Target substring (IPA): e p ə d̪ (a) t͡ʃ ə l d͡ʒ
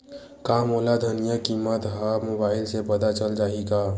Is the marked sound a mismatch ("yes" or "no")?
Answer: no